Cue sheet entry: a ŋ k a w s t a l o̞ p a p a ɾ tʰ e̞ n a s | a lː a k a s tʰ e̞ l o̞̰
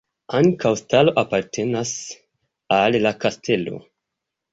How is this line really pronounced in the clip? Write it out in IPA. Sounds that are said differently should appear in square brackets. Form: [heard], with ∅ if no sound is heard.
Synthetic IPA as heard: a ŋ k a w s t a l o̞ [ʔ] a p a ɾ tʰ e̞ n a s | a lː a k a s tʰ e̞ l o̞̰